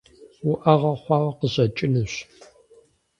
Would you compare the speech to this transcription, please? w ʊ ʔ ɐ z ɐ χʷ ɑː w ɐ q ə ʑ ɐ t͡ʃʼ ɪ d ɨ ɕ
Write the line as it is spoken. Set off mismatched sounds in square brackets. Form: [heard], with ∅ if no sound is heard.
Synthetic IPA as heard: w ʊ ʔ ɐ [ʁ] ɐ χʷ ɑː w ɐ q ə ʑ ɐ t͡ʃʼ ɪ [n] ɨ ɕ